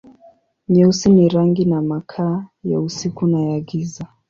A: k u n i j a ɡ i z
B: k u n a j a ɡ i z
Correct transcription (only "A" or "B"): B